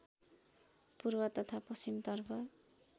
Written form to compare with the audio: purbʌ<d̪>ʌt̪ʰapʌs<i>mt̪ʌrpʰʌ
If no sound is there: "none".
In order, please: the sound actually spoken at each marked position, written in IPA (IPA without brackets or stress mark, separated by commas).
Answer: t̪, i